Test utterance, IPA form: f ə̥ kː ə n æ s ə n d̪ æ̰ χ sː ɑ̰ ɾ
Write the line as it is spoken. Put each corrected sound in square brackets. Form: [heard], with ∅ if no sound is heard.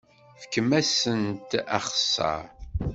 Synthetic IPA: f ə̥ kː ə [m] æ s ə n [t̪] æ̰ χ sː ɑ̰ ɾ